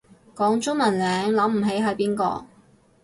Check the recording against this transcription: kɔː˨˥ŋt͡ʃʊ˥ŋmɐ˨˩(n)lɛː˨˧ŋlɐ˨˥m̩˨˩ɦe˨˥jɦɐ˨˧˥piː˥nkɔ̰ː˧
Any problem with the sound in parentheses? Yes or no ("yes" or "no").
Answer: no